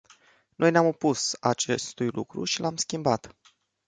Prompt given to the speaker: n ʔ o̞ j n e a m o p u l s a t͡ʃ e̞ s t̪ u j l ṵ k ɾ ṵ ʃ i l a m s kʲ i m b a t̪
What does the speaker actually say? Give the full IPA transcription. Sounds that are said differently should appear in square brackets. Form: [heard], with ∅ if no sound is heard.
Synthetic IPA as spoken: n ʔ o̞ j n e a m o p u [∅] s a t͡ʃ e̞ s t̪ u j l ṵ k ɾ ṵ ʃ i l a m s kʲ i m b a t̪